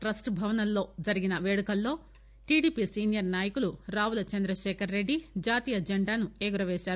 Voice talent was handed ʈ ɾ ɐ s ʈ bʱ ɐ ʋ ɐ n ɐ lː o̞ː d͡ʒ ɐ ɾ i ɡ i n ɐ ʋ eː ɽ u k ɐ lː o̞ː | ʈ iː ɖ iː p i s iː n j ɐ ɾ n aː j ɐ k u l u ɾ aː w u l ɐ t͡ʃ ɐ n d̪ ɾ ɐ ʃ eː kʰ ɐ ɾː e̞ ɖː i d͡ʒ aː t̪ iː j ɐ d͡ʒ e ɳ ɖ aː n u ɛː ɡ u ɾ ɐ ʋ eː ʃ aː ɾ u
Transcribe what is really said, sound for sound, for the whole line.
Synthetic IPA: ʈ ɾ ɐ s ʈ bʱ ɐ ʋ ɐ n ɐ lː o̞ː d͡ʒ ɐ ɾ i ɡ i n ɐ ʋ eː ɽ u k ɐ lː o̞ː | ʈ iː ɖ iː p i s iː n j ɐ ɾ n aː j ɐ k u l u ɾ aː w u l ɐ t͡ʃ ɐ n d̪ ɾ ɐ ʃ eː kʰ ɐ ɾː e̞ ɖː i d͡ʒ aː t̪ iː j ɐ d͡ʒ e ɳ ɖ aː n u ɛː ɡ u ɾ ɐ ʋ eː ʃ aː ɾ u